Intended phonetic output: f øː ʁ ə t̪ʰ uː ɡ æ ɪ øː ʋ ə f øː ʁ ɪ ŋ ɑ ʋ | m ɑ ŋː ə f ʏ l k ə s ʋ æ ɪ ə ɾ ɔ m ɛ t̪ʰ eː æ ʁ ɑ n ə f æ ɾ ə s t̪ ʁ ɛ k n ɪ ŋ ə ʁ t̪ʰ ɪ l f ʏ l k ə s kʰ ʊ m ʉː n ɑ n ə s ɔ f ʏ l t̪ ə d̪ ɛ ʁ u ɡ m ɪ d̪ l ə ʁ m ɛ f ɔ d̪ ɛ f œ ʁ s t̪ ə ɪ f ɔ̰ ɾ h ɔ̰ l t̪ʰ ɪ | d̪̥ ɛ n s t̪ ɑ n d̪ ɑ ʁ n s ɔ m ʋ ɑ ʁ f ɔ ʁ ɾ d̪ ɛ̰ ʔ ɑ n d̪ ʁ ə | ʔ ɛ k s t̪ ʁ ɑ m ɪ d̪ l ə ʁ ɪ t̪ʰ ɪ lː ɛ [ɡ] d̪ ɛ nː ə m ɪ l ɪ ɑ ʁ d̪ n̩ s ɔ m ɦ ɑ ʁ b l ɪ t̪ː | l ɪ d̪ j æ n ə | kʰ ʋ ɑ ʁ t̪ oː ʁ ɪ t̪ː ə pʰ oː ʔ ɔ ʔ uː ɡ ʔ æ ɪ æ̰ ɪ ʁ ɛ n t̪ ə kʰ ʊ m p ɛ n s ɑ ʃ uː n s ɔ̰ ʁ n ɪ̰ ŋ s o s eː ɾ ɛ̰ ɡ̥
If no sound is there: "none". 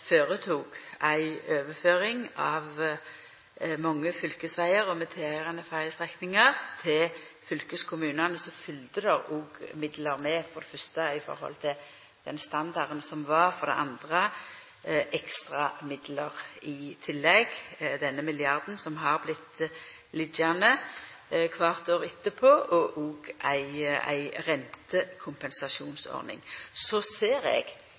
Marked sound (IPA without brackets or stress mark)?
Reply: ɡ